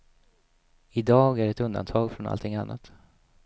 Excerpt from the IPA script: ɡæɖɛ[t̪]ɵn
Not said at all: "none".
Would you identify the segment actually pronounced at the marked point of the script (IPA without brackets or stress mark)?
t̪